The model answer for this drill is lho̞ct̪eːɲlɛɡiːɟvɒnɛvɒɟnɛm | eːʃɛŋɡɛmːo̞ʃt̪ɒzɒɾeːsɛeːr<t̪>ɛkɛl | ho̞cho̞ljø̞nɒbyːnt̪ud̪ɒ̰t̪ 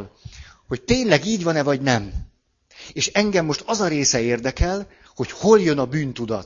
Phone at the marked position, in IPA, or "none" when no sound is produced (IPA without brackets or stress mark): d̪